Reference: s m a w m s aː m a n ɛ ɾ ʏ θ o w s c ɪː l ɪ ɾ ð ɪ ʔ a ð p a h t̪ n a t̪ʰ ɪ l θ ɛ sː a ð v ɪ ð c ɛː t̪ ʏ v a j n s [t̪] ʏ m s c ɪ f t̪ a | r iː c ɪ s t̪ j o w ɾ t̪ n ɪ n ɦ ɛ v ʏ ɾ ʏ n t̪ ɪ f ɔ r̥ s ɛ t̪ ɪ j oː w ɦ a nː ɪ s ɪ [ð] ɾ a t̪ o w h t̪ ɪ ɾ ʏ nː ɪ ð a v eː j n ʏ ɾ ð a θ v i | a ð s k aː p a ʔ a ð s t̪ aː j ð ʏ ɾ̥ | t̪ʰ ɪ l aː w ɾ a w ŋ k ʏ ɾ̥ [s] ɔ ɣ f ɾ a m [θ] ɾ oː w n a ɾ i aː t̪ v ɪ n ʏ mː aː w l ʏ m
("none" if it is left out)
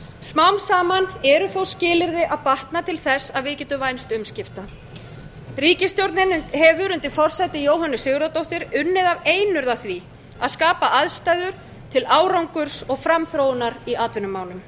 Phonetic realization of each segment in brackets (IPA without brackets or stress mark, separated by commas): t̪, ɣ, s, θ